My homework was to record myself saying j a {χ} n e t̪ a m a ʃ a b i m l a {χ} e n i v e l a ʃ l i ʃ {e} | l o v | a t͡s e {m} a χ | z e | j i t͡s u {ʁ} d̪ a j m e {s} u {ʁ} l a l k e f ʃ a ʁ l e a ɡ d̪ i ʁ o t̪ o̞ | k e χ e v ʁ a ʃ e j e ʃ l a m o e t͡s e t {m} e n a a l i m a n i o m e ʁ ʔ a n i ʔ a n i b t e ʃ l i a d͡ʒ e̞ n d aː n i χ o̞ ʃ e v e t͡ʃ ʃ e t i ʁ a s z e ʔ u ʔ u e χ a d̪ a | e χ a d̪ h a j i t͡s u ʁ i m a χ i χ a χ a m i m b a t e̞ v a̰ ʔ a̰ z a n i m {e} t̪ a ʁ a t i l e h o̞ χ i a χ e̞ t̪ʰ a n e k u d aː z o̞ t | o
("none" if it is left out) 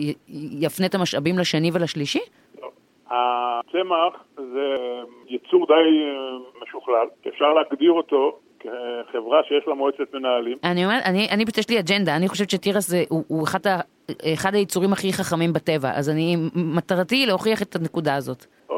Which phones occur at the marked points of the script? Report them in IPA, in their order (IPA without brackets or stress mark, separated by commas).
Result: f, ʃ, i, m, ʁ, ʃ, χ, m, a